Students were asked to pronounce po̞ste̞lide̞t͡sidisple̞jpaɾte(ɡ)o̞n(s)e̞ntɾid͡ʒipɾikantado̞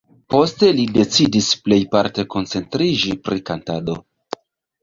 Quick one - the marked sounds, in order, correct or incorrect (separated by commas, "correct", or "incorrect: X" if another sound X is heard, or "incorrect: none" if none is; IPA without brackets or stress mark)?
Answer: incorrect: k, incorrect: t͡s